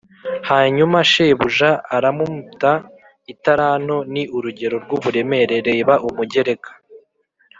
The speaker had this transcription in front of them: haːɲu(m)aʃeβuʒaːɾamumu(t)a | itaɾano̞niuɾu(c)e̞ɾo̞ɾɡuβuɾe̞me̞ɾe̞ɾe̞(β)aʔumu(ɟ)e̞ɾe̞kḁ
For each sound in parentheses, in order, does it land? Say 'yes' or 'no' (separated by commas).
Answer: yes, yes, no, yes, yes